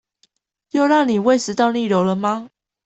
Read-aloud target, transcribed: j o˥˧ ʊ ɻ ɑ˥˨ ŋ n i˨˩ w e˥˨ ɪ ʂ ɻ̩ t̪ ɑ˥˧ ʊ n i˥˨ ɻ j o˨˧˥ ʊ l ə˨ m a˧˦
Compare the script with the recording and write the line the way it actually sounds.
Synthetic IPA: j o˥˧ ʊ ɻ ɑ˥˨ ŋ n i˨˩ w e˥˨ ɪ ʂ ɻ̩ t̪ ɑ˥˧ ʊ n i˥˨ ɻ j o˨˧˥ ʊ l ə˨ m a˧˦